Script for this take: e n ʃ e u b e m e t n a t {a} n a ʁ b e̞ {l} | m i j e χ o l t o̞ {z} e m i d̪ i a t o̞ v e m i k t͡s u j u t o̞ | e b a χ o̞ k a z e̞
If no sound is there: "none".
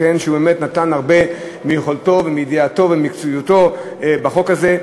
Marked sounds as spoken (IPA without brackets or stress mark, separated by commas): a, none, v